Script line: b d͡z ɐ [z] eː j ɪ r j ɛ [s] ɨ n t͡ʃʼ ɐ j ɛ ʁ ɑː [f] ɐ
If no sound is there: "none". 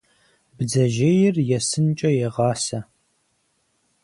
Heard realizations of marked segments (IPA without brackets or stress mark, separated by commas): ʒ, s, s